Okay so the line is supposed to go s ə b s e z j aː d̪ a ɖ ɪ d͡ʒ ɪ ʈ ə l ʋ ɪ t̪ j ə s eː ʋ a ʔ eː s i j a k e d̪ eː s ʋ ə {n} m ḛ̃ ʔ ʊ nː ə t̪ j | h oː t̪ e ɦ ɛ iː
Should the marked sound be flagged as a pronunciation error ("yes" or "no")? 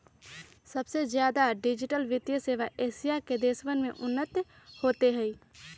no